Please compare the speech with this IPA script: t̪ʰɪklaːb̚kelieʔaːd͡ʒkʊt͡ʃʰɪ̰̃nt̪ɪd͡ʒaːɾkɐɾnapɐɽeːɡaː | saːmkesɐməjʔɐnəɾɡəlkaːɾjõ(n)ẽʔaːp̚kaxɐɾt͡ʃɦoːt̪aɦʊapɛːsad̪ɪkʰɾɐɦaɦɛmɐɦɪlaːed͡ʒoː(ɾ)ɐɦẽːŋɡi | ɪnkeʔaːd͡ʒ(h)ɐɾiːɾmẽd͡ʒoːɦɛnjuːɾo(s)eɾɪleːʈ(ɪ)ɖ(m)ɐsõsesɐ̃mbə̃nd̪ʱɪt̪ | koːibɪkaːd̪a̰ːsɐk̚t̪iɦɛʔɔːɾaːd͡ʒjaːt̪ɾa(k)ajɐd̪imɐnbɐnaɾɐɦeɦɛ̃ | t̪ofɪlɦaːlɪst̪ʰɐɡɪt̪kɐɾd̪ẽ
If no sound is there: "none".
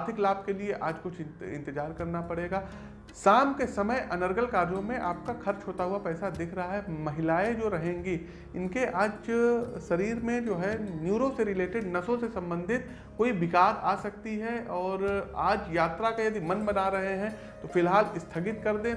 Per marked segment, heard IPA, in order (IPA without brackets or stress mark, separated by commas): m, ɾ, s, s, ɪ, n, k